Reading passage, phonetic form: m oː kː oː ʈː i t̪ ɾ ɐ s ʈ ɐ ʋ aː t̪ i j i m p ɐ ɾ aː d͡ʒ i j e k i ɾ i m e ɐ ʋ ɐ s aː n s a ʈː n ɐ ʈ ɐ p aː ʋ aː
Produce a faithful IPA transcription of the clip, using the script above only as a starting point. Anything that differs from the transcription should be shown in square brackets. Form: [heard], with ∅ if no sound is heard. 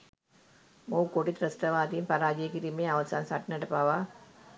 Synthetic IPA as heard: m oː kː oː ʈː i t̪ ɾ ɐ s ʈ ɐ ʋ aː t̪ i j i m p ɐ ɾ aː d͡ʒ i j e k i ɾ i m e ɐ ʋ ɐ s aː n s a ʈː n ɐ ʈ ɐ p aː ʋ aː